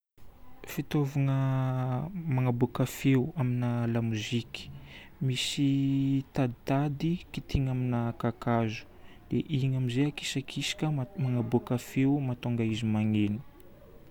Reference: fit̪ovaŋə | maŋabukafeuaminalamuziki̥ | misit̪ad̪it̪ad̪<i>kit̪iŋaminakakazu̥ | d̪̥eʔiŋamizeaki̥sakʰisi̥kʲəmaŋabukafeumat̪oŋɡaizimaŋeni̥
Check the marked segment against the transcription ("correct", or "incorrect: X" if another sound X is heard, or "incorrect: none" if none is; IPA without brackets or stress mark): correct